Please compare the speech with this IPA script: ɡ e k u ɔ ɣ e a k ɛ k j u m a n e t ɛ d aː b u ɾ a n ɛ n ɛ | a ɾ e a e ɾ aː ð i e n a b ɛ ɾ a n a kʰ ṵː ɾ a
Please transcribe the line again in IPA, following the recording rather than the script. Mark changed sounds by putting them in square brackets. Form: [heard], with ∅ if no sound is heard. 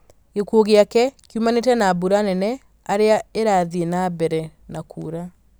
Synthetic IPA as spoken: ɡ e k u [o] ɣ e a k ɛ k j u m a n e t ɛ [n] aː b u ɾ a n ɛ n ɛ | a ɾ e a e ɾ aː ð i e n a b ɛ ɾ [ɛ] n a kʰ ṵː ɾ a